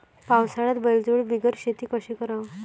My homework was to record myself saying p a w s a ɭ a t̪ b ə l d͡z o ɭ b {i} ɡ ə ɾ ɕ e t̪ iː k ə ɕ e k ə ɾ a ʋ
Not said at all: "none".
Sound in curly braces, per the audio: i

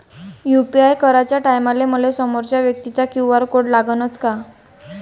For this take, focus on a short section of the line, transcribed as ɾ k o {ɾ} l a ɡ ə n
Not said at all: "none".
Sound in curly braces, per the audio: ɽ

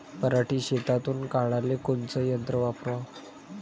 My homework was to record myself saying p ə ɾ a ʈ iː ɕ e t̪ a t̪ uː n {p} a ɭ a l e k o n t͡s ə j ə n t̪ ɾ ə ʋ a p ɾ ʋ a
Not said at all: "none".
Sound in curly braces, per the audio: k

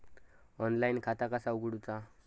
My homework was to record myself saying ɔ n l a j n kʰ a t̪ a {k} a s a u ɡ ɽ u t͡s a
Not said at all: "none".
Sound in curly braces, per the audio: k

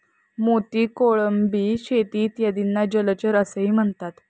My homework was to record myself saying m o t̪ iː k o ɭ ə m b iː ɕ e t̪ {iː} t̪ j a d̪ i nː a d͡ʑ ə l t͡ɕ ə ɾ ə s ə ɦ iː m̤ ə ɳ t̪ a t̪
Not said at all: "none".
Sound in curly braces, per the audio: iː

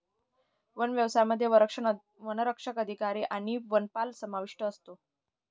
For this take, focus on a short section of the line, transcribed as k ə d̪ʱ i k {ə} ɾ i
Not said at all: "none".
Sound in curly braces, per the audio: a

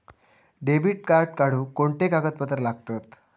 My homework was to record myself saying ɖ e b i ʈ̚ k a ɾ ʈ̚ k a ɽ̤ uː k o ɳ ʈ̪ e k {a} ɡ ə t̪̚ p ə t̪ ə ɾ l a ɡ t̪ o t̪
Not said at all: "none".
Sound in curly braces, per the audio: a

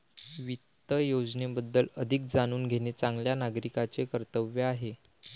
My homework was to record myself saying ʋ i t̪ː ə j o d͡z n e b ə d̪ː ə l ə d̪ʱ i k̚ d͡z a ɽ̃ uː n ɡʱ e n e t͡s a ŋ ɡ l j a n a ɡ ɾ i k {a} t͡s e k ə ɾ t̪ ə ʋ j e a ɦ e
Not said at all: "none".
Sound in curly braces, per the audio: a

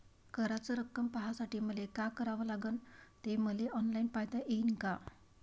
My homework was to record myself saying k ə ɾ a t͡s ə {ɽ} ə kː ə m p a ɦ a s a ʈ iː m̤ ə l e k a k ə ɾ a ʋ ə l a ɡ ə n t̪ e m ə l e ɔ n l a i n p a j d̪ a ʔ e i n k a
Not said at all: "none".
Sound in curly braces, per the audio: ɾ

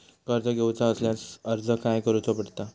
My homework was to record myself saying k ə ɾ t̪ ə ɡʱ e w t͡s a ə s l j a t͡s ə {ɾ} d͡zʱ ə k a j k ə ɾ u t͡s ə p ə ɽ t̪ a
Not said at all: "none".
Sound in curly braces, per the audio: ɾ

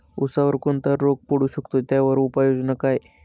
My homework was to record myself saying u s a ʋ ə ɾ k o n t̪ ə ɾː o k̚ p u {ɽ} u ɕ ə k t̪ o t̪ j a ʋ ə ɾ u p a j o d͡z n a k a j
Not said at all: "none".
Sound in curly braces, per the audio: ɽ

